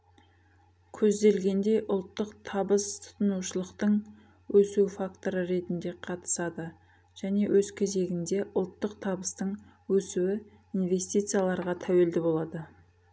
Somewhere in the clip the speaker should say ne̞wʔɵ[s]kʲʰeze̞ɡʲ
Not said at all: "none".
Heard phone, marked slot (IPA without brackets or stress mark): z